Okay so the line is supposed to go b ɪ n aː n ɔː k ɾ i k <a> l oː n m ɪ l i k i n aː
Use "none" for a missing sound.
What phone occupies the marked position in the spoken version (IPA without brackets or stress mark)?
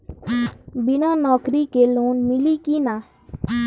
e